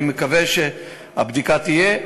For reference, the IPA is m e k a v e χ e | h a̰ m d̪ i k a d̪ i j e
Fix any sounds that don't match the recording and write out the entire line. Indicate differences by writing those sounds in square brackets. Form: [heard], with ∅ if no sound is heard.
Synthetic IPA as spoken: m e k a v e [ʃ] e | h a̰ [b] d̪ i k a [t̪] i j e